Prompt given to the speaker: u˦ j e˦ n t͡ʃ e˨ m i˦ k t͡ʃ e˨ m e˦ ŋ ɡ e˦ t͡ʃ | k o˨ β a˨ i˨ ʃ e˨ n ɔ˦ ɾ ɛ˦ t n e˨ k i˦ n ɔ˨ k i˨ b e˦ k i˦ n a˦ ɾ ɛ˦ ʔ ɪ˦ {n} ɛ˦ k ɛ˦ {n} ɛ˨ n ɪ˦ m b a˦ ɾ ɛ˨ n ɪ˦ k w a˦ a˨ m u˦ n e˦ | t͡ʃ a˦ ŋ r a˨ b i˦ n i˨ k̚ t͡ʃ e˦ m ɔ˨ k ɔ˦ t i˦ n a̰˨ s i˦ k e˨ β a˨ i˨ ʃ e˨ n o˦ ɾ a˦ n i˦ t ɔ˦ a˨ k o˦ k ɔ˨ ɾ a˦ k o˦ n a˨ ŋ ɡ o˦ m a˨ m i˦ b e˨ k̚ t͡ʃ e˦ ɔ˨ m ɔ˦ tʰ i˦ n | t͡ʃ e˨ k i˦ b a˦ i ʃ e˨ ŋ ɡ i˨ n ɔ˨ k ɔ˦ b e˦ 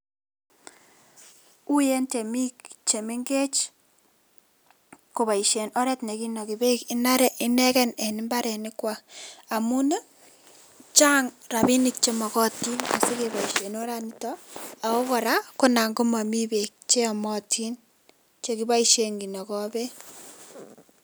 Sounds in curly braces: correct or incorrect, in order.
correct, correct

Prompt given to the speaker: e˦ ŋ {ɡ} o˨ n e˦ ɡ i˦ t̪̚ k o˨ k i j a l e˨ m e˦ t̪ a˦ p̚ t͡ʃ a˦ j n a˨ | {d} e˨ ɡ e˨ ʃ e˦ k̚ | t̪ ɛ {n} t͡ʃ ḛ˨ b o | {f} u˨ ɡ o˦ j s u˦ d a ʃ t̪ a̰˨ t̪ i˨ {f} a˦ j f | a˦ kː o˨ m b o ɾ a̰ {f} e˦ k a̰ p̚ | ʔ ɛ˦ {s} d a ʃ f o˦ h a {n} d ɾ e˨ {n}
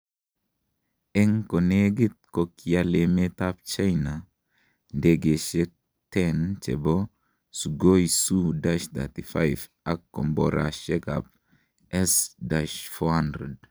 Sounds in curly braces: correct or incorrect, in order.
incorrect: k, correct, correct, incorrect: s, correct, incorrect: ʃ, correct, correct, incorrect: d

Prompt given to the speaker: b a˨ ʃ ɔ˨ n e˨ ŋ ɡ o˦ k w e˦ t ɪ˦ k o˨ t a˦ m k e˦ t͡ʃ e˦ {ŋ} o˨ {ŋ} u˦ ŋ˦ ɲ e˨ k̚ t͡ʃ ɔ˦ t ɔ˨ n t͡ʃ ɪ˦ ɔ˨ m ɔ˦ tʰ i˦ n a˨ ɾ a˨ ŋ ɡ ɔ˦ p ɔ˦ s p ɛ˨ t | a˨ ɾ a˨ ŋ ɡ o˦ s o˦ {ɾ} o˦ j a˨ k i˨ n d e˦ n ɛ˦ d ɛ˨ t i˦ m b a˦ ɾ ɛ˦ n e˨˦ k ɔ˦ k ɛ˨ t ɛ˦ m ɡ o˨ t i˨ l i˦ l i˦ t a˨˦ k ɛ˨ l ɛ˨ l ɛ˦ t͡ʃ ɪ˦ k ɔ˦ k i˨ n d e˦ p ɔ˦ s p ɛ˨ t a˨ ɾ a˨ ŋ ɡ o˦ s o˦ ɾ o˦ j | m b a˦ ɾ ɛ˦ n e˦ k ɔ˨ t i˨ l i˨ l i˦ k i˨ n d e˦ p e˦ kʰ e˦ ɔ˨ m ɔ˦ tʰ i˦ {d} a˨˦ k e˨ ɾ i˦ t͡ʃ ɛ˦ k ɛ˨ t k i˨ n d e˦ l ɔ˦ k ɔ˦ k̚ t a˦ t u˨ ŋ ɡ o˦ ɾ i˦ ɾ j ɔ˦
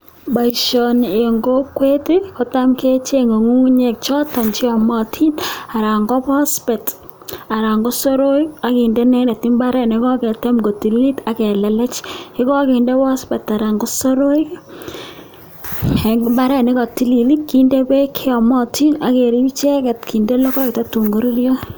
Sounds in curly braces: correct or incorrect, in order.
correct, correct, correct, incorrect: n

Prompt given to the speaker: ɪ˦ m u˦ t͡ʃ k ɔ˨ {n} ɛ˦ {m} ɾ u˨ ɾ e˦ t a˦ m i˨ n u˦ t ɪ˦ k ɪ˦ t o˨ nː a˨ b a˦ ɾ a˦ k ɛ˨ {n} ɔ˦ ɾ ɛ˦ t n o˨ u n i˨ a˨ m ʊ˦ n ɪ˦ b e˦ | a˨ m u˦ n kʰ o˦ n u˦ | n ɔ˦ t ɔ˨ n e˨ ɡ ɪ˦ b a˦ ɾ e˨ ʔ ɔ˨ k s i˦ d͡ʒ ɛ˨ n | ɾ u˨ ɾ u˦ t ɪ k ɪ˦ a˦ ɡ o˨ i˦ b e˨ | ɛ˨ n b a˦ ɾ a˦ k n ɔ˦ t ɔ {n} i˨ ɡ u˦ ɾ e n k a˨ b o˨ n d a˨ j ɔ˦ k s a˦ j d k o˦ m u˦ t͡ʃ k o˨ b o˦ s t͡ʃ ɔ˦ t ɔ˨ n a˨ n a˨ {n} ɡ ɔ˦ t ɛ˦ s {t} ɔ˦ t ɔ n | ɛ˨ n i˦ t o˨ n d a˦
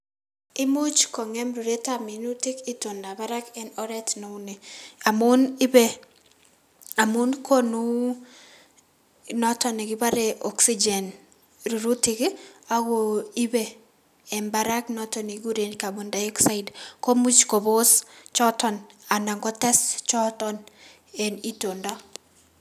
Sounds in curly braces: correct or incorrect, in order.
incorrect: ŋ, correct, correct, correct, incorrect: ŋ, incorrect: t͡ʃ

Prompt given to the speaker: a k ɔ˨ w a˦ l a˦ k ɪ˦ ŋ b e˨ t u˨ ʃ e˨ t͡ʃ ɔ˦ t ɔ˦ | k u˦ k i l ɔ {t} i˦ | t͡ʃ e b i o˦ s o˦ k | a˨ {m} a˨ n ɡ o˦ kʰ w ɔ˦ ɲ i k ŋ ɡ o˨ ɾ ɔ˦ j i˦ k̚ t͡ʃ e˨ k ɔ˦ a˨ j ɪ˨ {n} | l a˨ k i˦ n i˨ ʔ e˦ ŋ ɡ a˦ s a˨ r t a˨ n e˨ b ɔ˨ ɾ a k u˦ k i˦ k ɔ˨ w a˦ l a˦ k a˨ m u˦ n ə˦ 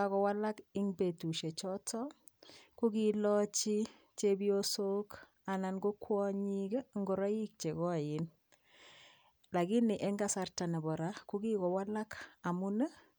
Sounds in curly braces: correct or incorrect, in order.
incorrect: t͡ʃ, incorrect: n, correct

